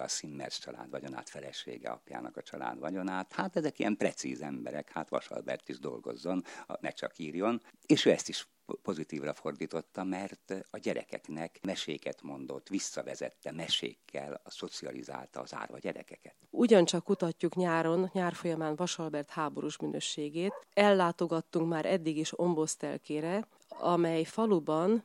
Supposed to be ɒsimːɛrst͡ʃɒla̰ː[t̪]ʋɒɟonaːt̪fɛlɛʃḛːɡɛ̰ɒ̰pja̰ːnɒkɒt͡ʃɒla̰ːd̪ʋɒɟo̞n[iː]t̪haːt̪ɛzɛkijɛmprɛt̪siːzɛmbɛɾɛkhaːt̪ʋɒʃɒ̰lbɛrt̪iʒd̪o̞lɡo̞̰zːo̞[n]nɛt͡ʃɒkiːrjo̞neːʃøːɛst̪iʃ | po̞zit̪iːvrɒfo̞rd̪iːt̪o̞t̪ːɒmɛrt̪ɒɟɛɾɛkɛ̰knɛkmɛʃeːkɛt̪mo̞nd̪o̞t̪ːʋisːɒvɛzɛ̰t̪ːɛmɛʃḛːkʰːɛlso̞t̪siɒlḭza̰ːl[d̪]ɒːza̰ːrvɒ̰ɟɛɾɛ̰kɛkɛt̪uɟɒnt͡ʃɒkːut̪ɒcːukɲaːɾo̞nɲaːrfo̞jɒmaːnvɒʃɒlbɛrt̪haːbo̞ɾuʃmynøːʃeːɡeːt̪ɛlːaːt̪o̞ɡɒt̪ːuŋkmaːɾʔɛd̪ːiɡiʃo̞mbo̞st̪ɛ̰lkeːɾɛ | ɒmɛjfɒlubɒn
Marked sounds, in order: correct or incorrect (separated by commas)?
incorrect, incorrect, correct, incorrect